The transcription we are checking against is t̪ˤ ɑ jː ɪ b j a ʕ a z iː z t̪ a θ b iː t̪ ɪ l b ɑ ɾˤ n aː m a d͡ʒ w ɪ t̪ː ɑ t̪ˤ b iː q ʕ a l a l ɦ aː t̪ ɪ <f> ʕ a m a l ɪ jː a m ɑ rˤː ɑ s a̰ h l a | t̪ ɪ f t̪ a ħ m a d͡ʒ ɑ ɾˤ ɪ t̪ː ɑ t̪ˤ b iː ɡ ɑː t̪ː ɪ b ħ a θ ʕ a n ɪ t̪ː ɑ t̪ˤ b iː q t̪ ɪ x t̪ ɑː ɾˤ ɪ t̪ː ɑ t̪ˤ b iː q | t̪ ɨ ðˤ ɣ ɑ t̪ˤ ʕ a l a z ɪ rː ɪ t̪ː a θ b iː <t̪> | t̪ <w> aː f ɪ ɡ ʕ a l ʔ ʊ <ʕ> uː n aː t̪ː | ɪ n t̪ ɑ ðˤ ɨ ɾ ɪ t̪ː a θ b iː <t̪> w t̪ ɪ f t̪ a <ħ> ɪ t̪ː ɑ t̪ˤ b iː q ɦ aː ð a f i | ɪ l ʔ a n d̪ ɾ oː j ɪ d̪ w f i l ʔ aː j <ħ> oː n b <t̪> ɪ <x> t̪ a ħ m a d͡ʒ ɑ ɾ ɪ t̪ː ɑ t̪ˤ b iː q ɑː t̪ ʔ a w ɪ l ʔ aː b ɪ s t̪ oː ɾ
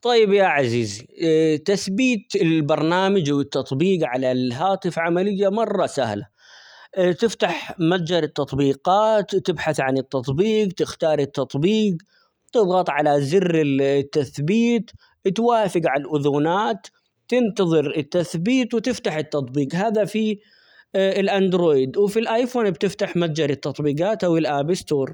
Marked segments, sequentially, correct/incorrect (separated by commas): correct, correct, correct, incorrect, correct, correct, incorrect, correct, incorrect